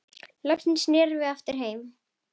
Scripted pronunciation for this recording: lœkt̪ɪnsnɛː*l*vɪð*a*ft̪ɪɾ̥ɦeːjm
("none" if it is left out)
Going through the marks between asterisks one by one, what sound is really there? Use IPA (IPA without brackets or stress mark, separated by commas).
ɾ, a